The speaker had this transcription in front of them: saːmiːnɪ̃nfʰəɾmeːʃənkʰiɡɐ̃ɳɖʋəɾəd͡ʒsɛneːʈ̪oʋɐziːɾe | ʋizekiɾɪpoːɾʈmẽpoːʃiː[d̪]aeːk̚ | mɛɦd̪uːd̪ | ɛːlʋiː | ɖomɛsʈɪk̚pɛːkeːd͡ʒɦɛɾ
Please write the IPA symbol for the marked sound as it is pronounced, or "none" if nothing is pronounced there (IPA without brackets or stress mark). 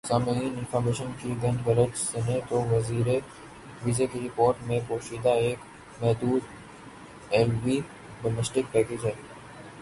d̪